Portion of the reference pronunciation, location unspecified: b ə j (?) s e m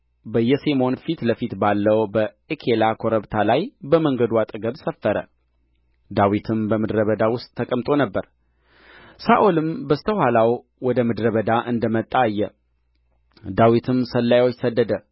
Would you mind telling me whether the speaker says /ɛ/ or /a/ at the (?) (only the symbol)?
ɛ